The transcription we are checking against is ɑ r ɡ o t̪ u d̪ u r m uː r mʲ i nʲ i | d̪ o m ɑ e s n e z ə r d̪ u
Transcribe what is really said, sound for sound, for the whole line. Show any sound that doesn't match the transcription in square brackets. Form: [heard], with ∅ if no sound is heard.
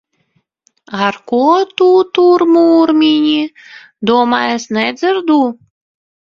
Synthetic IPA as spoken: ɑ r [k] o t̪ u [t̪] u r m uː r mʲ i nʲ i | d̪ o m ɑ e s n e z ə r d̪ u